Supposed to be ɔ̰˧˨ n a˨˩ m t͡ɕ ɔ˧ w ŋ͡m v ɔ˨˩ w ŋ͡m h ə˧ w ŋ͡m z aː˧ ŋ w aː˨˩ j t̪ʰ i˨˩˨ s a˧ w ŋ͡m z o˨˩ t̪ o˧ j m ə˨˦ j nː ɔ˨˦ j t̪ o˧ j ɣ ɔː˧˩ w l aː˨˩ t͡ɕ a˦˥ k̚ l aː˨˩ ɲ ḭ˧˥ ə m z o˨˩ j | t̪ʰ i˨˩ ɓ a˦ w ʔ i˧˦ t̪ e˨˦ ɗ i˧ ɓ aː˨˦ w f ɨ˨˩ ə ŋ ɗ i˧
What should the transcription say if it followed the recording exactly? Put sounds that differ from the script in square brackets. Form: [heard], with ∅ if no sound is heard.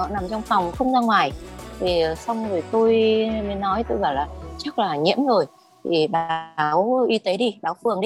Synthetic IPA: ɔ̰˧˨ n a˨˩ m t͡ɕ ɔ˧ w ŋ͡m [f] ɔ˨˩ w ŋ͡m [x] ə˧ w ŋ͡m z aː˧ ŋ w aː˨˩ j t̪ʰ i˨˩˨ s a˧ w ŋ͡m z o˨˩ t̪ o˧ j m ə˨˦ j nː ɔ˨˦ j t̪ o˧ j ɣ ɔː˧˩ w l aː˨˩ t͡ɕ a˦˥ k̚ l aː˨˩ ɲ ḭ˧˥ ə m z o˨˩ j | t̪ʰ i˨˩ ɓ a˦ w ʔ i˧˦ t̪ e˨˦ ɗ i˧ ɓ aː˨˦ w f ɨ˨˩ ə ŋ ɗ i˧